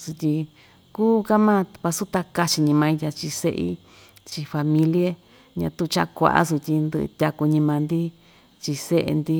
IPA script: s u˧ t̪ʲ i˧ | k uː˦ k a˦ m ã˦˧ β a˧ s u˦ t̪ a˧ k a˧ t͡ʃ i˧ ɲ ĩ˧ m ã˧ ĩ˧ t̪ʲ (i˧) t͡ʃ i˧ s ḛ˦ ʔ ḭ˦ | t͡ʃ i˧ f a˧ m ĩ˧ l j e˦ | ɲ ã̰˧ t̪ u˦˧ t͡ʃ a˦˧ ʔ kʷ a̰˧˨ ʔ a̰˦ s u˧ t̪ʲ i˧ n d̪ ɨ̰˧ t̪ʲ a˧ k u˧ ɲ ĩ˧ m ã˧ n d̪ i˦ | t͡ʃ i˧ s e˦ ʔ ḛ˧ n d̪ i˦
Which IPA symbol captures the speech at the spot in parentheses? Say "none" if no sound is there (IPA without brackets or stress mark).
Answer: a˧